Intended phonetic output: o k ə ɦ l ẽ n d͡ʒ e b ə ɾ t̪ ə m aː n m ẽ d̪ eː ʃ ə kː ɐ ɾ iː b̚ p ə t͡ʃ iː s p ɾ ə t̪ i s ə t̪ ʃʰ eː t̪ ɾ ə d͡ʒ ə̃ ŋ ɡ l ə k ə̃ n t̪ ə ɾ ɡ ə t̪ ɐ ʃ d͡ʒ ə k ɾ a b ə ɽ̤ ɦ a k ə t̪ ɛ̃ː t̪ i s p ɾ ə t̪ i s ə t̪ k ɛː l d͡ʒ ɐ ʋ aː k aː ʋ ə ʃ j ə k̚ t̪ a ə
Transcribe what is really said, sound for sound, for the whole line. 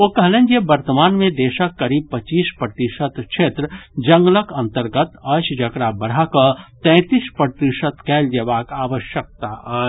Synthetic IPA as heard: o k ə ɦ l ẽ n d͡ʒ e b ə ɾ t̪ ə m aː n m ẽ d̪ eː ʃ ə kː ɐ ɾ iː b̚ p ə t͡ʃ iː s p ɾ ə t̪ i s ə t̪ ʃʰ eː t̪ ɾ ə d͡ʒ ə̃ ŋ ɡ l ə k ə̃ n t̪ ə ɾ ɡ ə t̪ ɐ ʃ d͡ʒ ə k ɾ a b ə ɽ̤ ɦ a k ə t̪ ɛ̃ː t̪ i s p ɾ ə t̪ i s ə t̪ k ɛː l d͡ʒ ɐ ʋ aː k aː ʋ ə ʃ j ə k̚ t̪ a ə